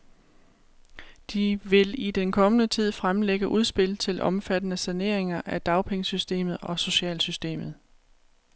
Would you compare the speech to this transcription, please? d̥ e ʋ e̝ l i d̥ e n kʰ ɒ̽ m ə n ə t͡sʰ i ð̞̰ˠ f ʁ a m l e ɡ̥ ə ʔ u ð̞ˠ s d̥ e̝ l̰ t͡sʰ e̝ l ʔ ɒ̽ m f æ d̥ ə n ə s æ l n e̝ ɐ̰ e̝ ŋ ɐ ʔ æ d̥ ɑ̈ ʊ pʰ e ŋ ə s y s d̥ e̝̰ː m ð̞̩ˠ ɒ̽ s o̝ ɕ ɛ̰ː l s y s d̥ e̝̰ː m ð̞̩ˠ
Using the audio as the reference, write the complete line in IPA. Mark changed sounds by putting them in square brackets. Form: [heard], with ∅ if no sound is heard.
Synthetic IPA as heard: d̥ [i] ʋ e̝ l i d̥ e n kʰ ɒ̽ m ə n ə t͡sʰ i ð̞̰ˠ f ʁ a m l e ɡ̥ ə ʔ u ð̞ˠ s [b̥] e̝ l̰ t͡sʰ e̝ l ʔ ɒ̽ m f æ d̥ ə n ə s æ [∅] n e̝ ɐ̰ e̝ ŋ ɐ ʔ æ d̥ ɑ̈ ʊ pʰ e ŋ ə s y s d̥ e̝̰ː m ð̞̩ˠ ɒ̽ s o̝ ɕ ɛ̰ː l s y s d̥ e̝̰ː m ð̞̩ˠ